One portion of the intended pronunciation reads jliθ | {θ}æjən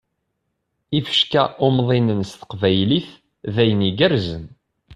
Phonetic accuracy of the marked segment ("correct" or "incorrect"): incorrect